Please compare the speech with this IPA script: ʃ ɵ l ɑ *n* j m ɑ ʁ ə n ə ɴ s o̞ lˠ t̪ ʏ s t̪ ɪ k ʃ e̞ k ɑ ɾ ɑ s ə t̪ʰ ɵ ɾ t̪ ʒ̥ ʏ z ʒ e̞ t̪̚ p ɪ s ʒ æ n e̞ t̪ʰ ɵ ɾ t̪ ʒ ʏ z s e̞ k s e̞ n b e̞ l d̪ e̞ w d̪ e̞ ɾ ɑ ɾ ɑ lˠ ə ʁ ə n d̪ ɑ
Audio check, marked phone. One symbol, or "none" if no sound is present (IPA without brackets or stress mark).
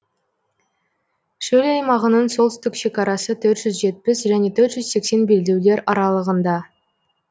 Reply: none